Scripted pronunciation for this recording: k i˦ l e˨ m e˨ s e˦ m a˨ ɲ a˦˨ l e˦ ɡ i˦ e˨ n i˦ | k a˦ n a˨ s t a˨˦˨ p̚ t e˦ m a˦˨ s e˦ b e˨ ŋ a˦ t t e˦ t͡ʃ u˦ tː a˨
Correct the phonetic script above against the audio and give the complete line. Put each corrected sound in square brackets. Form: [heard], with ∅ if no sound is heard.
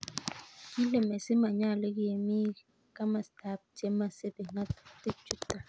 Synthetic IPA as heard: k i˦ l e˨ m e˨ s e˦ m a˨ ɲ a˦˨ l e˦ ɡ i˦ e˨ [m] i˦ | k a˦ [m] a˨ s t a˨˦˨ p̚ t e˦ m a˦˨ s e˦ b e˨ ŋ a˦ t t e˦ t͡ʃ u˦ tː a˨